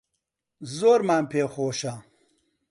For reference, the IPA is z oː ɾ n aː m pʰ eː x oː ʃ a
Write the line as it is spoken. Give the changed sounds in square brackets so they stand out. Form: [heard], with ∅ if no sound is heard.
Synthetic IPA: z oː ɾ [m] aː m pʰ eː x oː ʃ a